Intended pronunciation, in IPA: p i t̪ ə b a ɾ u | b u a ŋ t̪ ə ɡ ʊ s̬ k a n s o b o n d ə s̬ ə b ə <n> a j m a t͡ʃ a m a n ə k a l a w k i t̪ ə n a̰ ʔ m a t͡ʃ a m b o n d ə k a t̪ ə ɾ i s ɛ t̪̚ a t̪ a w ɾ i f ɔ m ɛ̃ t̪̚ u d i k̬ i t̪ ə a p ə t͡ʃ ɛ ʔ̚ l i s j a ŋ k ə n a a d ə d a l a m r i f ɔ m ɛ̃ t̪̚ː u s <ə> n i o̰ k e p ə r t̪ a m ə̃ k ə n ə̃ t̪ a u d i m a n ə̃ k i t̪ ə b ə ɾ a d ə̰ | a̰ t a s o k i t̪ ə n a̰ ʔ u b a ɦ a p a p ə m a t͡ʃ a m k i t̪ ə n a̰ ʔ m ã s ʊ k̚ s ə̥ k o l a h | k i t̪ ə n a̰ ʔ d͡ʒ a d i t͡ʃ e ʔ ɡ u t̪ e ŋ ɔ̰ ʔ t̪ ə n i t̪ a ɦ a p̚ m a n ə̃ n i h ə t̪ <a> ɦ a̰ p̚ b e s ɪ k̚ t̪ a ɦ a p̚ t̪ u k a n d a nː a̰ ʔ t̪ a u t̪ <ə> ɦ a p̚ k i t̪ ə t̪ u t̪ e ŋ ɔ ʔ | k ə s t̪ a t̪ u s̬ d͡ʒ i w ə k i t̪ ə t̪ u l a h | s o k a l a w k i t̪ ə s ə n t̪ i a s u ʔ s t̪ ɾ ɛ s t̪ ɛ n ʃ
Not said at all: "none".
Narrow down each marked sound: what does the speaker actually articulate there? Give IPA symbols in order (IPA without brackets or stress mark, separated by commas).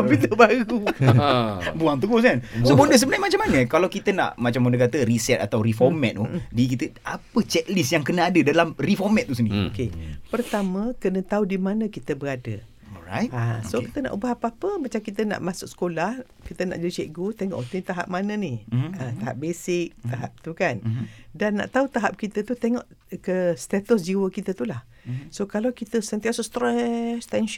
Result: n, ə, a, a